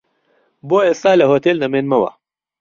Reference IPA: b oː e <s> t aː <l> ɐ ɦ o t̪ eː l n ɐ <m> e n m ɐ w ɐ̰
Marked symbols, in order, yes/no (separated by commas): yes, yes, yes